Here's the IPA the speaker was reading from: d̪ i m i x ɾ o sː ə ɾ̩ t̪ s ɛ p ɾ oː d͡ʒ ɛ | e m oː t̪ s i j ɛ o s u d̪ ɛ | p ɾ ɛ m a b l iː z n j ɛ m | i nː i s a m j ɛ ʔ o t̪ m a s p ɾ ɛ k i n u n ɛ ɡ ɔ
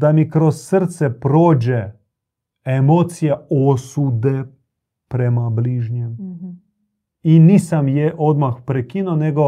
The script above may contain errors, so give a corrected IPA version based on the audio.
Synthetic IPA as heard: d̪ a m i k ɾ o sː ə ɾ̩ t̪ s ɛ p ɾ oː d͡ʒ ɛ | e m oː t̪ s i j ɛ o s u d̪ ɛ | p ɾ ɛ m a b l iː ʒ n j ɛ m | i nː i s a m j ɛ ʔ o d̪ m a x p ɾ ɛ k i n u n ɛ ɡ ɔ